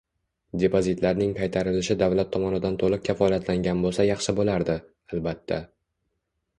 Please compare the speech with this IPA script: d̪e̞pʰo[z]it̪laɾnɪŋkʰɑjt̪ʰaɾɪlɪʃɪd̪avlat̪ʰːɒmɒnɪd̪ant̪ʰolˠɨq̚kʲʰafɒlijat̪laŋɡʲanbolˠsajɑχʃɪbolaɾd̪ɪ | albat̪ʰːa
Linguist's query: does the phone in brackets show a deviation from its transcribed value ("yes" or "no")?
no